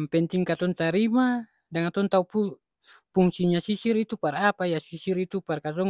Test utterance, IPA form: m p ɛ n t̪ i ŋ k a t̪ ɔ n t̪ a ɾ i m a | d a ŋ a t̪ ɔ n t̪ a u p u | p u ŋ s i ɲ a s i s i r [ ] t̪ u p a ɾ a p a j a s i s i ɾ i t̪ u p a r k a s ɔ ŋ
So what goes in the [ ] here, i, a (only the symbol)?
i